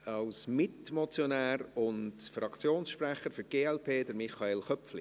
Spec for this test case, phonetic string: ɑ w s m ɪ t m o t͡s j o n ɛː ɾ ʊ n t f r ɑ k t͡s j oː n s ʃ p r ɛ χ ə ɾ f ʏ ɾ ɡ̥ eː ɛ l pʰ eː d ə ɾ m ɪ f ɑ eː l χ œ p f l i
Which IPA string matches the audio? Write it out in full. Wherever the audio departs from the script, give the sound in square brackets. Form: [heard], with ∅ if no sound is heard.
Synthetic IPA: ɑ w s m ɪ t m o t͡s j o n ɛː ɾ ʊ n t f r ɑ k t͡s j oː n s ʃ p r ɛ χ ə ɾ f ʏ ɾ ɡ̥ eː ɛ l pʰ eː d ə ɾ m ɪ [χ] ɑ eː l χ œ p f l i